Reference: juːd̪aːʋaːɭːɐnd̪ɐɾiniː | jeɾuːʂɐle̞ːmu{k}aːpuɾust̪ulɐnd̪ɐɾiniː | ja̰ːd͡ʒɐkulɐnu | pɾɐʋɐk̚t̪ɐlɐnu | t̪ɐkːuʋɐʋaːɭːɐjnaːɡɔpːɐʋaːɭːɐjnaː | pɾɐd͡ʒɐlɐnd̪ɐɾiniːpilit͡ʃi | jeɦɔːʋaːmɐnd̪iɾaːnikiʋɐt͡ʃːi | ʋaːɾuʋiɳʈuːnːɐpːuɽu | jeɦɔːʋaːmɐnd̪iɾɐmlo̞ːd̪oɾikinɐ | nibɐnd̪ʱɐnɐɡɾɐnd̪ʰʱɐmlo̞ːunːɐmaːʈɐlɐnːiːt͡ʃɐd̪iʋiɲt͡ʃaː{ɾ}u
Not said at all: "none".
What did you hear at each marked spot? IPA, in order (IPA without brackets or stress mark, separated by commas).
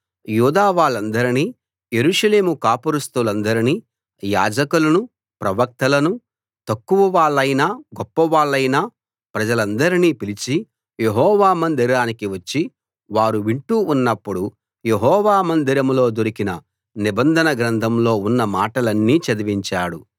k, ɽ